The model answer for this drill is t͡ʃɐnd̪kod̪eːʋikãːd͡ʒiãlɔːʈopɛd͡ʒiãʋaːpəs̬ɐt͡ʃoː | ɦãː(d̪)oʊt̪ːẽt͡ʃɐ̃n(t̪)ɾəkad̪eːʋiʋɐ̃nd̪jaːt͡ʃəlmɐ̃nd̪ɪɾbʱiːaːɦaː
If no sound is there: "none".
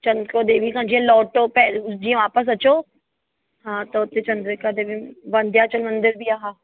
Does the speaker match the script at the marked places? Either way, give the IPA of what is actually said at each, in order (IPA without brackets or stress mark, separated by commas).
t̪, d̪